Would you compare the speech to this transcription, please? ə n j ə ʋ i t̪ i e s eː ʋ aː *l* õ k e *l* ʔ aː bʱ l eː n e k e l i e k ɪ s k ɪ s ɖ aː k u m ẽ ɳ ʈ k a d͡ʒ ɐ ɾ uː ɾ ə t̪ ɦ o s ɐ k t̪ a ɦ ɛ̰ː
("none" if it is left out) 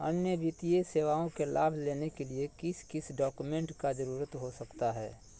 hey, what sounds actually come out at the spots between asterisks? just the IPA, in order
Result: none, l

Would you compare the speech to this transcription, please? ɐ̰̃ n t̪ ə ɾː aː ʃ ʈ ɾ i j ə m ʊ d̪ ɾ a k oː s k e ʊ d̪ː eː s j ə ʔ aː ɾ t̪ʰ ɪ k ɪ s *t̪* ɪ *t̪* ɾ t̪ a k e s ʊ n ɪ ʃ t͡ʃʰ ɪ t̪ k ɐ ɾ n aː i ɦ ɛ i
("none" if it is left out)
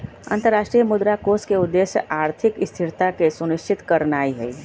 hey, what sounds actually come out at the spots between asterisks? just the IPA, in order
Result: t̪ʰ, none

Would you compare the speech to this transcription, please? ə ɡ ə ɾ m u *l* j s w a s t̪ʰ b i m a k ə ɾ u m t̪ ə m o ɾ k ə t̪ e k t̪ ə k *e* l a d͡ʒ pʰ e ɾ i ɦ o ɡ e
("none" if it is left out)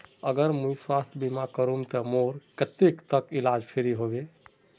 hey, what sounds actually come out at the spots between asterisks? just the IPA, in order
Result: none, i

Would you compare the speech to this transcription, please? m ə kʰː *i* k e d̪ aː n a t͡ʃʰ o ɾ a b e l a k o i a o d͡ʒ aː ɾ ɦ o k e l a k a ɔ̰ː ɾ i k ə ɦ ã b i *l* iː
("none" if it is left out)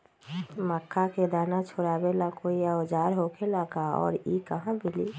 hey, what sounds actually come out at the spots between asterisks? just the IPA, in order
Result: a, l

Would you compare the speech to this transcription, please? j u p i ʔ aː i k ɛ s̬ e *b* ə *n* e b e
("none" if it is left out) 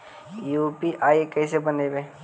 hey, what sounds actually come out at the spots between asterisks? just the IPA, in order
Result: b, n

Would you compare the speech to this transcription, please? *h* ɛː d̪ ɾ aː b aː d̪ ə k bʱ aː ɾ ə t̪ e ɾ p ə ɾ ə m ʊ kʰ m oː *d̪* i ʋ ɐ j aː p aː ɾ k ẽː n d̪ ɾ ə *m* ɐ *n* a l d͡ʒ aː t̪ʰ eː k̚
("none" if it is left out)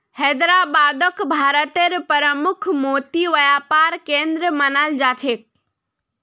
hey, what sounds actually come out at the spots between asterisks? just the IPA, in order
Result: h, t̪, m, n

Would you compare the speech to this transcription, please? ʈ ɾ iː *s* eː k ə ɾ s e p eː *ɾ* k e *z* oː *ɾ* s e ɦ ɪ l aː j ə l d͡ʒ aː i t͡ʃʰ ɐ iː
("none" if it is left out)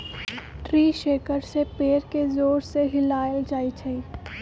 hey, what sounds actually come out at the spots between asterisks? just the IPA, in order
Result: ʃ, ɾ, z, ɾ

